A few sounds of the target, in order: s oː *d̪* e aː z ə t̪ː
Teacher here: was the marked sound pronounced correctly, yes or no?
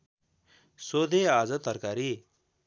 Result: yes